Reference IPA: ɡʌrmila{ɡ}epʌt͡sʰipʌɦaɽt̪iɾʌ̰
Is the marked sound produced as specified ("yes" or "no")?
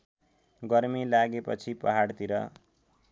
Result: yes